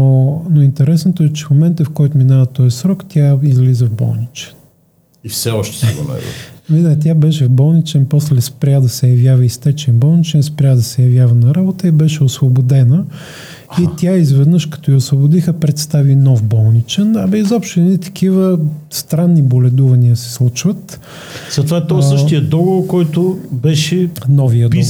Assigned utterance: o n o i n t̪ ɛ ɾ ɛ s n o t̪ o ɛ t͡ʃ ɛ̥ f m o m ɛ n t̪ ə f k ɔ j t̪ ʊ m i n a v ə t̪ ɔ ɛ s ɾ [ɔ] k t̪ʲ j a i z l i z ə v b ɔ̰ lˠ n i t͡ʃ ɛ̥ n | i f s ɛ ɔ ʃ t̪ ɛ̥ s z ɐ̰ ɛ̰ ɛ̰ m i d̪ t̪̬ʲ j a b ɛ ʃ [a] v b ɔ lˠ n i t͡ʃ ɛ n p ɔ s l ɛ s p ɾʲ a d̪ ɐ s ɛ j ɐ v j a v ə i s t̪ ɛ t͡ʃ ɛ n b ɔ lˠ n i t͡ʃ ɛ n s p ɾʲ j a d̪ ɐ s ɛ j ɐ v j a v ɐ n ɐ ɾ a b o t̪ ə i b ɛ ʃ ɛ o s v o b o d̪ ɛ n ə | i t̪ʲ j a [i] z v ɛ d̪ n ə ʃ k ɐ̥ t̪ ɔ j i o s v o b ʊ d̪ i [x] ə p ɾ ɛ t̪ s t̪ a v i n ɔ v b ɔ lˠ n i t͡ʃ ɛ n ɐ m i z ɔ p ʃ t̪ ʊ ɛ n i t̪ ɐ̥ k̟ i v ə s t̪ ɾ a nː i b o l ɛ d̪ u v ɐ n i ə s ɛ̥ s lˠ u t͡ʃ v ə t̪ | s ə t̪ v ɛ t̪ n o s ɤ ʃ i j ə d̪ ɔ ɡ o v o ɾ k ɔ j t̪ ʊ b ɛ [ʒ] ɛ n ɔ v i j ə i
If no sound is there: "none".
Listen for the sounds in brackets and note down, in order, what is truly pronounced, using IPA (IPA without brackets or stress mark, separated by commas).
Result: ɔ, ɛ, i, x, ʃ